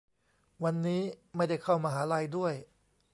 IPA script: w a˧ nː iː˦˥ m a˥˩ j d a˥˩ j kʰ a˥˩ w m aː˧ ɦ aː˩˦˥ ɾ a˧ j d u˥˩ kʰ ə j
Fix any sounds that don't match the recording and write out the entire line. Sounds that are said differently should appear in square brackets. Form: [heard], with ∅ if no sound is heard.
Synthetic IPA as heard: w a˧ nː iː˦˥ m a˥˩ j d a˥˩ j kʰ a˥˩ w m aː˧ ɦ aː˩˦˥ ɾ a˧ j d u˥˩ [∅] ə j